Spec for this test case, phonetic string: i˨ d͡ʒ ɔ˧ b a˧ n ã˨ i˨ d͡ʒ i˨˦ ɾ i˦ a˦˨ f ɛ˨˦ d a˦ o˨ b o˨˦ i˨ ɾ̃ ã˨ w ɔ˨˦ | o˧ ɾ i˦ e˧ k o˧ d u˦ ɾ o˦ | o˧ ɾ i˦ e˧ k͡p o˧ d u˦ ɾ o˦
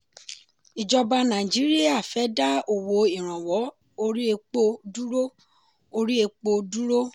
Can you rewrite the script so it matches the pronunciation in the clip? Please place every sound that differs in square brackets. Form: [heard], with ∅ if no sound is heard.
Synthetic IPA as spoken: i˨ d͡ʒ ɔ˧ b a˧ n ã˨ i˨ d͡ʒ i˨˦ ɾ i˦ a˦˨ f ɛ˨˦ d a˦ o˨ [w] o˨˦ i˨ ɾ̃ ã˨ w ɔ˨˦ | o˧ ɾ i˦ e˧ [k͡p] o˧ d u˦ ɾ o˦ | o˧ ɾ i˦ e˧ k͡p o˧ d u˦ ɾ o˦